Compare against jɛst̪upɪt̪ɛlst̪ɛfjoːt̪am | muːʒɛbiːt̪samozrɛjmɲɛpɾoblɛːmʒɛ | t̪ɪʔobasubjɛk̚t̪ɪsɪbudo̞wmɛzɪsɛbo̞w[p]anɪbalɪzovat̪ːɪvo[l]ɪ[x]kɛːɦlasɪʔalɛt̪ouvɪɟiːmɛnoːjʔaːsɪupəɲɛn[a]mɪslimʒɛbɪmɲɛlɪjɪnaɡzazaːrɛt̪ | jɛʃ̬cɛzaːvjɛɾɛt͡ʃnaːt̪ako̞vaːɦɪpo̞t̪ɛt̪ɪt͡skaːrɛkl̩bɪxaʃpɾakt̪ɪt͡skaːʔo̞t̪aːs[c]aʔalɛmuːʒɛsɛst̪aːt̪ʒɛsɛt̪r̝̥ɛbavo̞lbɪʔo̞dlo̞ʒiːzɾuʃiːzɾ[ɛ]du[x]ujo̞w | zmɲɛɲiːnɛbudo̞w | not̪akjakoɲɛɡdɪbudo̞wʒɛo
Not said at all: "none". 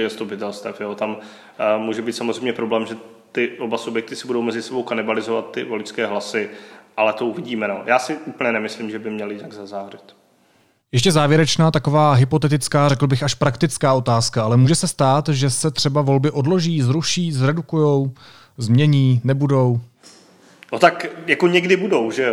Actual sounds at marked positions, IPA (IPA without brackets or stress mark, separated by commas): k, l, s, ɛ, k, ɛ, k